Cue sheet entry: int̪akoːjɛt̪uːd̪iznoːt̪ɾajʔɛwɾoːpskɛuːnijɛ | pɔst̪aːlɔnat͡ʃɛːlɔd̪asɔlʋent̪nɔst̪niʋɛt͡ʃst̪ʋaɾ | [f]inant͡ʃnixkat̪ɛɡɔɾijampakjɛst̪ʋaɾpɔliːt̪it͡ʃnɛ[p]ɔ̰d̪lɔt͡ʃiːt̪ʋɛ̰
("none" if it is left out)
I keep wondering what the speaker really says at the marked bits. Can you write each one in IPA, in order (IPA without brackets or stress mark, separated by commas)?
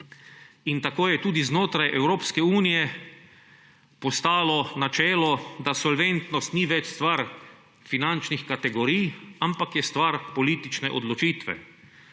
f, ʔ